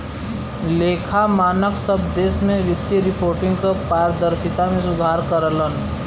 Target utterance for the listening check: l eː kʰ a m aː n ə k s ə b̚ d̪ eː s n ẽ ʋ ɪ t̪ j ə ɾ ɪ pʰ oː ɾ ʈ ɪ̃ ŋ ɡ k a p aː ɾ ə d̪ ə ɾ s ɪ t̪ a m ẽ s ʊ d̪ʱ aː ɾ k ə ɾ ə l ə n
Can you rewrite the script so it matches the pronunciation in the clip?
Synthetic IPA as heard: l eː kʰ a m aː n ə k s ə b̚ d̪ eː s m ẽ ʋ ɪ t̪ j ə ɾ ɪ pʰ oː ɾ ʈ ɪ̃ ŋ ɡ k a p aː ɾ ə d̪ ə ɾ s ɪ t̪ a m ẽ s ʊ d̪ʱ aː ɾ k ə ɾ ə l ə n